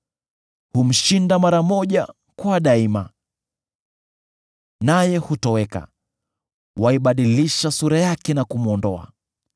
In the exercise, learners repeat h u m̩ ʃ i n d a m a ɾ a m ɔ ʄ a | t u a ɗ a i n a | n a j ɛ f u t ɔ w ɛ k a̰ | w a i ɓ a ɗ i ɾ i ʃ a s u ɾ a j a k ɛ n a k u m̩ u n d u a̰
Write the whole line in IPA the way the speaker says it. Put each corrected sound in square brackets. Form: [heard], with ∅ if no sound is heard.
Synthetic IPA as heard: h u m̩ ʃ i n d a m a ɾ a m ɔ ʄ a | [k] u a ɗ a i [m] a | n a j ɛ [h] u t ɔ w ɛ k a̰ | w a i ɓ a ɗ i [l] i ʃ a s u ɾ a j a k ɛ n a k u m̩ [ɔ] n d [ɔ] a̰